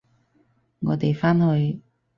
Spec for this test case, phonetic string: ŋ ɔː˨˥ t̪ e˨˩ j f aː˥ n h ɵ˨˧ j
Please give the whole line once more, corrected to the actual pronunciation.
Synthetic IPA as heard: ŋ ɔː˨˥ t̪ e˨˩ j f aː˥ n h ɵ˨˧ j

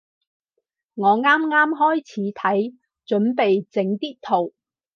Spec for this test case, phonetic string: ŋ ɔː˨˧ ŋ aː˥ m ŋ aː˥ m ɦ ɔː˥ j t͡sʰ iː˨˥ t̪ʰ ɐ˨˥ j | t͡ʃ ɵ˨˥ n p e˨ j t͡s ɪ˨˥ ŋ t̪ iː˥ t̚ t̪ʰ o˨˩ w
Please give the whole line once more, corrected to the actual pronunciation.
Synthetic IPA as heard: ŋ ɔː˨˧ ŋ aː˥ m ŋ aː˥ m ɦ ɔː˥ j t͡sʰ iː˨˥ t̪ʰ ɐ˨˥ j | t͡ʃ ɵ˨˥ n p e˨ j t͡s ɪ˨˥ ŋ t̪ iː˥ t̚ t̪ʰ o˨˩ w

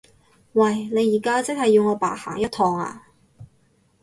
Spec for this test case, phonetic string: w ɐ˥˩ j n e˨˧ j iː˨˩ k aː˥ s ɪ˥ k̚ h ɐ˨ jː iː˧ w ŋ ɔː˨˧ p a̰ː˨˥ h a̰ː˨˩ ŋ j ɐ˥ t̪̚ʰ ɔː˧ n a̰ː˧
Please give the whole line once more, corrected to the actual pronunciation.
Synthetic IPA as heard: w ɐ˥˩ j n e˨˧ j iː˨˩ k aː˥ t͡s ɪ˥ k̚ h ɐ˨ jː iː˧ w ŋ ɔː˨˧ p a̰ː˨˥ h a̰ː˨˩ ŋ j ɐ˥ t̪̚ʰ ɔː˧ ŋ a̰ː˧

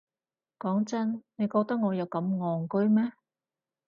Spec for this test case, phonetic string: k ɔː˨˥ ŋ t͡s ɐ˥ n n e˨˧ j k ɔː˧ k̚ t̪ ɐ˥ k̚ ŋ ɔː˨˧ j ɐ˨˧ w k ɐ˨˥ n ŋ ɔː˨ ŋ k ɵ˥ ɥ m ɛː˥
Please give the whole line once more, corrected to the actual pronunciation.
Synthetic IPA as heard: k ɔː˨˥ ŋ t͡s ɐ˥ n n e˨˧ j k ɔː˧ k̚ t̪ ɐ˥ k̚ ŋ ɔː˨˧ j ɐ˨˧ w k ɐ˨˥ m ŋ ɔː˨ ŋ k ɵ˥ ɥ m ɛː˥

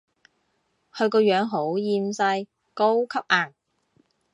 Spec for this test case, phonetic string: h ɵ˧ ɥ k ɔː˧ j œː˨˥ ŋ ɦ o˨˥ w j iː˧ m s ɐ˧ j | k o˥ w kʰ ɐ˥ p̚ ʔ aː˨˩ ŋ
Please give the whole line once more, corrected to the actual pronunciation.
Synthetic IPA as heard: h ɵ˧ ɥ k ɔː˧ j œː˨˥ ŋ ɦ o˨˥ w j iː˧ m s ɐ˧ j | k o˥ w kʰ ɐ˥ p̚ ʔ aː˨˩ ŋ

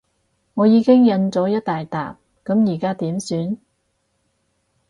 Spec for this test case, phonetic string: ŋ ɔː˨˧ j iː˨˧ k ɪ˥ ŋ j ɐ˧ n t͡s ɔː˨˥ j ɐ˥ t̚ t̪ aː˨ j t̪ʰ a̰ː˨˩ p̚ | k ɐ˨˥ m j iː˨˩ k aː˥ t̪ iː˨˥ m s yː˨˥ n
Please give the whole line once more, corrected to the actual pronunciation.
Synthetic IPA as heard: ŋ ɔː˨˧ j iː˨˧ k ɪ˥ ŋ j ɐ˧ n t͡s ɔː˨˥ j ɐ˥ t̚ t̪ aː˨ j t̪ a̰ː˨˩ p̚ | k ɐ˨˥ m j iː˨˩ k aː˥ t̪ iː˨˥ m s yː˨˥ n

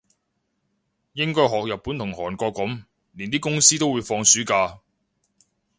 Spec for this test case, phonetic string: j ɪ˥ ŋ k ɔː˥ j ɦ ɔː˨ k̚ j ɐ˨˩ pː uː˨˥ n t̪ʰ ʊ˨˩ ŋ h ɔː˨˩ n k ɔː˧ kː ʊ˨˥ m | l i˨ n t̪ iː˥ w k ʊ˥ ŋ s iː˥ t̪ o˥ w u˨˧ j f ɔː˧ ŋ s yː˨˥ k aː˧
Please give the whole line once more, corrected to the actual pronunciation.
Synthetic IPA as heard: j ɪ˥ ŋ k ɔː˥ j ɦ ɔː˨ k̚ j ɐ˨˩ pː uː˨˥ n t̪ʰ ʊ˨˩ ŋ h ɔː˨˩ n k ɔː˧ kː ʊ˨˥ m | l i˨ n t̪ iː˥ k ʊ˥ ŋ s iː˥ t̪ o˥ w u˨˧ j f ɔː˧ ŋ s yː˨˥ k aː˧

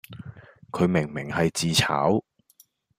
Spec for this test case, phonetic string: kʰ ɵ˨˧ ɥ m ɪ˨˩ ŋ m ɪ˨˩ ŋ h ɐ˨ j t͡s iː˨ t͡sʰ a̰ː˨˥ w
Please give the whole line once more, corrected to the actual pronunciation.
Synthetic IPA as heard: kʰ ɵ˨˧ ɥ m ɪ˨˩ ŋ m ɪ˨˩ ŋ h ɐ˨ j t͡s iː˨ t͡sʰ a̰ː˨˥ w

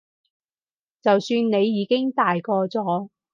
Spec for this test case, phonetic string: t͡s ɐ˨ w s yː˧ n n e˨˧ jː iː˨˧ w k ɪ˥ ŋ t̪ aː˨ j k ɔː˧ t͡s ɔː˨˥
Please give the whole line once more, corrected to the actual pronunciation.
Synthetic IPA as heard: t͡s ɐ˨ w s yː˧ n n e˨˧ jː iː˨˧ k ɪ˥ ŋ t̪ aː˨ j k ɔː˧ t͡s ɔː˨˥

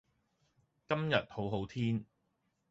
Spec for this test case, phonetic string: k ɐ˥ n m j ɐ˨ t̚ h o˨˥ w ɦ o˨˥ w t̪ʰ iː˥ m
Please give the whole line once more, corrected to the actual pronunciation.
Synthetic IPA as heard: k ɐ˥ m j ɐ˨ t̚ h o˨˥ w ɦ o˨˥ w t̪ʰ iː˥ n

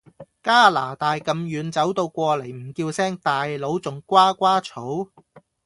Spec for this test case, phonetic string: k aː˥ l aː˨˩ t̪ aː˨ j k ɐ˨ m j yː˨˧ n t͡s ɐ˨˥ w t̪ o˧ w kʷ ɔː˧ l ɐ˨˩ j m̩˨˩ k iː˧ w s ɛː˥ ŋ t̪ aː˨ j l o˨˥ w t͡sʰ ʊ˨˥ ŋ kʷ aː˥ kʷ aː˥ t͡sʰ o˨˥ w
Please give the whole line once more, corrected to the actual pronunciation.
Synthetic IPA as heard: k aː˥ l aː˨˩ t̪ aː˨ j k ɐ˨ m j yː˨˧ n t͡s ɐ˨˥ w t̪ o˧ w kʷ ɔː˧ l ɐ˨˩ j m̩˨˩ k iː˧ w s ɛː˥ ŋ t̪ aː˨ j l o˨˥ w t͡s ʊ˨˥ ŋ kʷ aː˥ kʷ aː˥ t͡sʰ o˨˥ w

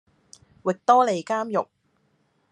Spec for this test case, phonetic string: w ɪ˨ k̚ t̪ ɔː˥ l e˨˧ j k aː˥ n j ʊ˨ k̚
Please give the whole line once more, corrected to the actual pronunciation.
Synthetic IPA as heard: w ɪ˨ k̚ t̪ ɔː˥ l e˨˧ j k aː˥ m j ʊ˨ k̚

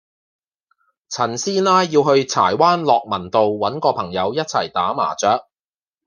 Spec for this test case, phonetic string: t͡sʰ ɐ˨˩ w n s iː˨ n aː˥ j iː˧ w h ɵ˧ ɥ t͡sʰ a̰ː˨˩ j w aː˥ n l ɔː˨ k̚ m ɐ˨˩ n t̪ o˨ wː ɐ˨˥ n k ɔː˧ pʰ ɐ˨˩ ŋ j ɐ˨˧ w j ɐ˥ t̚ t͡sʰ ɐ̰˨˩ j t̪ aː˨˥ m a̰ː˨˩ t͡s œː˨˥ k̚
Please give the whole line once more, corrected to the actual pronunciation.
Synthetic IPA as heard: t͡sʰ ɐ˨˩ n s iː˥ n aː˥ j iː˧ w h ɵ˧ ɥ t͡sʰ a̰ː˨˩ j w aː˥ n l ɔː˨ k̚ m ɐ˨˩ n t̪ o˨ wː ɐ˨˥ n k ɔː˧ pʰ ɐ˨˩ ŋ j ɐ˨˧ w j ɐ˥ t̚ t͡sʰ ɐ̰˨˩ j t̪ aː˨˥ m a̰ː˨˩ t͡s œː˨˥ k̚

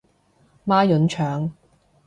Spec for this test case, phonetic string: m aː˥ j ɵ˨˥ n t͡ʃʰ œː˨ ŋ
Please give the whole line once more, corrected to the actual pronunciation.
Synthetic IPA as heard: m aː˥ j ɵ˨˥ n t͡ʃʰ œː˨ ŋ

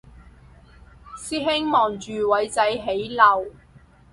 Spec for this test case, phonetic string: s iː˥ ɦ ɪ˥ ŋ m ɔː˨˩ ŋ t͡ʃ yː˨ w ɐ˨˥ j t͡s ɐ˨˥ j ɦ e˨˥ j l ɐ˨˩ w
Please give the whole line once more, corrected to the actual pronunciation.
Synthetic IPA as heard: s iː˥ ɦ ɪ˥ ŋ m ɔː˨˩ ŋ t͡ʃ yː˨ w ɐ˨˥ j t͡s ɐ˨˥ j ɦ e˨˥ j l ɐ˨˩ w

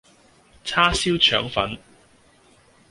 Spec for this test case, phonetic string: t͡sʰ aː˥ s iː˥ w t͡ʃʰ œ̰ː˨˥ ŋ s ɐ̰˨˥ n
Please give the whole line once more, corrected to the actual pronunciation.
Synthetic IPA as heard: t͡sʰ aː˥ s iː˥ w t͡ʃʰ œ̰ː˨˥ ŋ f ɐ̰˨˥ n

